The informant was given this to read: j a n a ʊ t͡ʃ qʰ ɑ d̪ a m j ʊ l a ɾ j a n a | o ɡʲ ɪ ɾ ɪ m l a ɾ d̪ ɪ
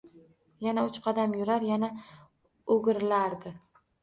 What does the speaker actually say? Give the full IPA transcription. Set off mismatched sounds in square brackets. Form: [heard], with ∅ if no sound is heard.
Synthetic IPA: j a n a ʊ t͡ʃ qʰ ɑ d̪ a m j ʊ [ɾ] a ɾ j a n a | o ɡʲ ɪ ɾ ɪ [∅] l a ɾ d̪ ɪ